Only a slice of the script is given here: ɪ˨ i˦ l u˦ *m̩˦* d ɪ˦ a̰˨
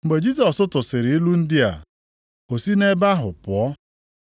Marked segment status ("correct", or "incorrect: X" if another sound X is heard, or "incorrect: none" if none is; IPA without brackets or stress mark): incorrect: n̩˦